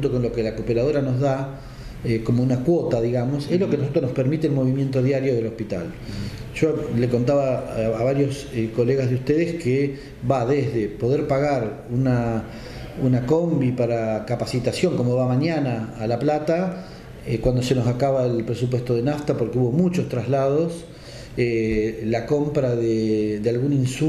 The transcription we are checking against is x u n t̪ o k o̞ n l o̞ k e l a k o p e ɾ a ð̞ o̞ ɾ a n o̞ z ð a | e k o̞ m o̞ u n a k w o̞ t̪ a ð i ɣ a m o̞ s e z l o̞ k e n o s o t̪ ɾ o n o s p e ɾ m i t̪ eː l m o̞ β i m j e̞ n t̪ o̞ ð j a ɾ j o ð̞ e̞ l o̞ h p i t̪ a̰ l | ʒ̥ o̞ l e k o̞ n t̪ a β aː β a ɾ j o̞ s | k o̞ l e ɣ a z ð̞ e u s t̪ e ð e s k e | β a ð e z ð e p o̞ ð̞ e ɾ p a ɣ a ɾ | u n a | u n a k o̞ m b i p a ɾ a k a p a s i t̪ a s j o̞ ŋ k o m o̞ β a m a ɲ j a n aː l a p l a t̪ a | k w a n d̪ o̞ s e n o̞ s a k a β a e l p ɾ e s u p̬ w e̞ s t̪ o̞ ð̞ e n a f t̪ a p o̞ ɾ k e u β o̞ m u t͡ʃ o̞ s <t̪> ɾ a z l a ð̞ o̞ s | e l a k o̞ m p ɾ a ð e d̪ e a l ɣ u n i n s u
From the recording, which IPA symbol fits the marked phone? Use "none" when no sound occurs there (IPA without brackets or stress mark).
t̪